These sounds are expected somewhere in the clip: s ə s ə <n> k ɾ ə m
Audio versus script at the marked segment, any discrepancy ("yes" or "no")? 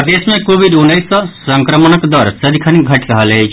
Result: yes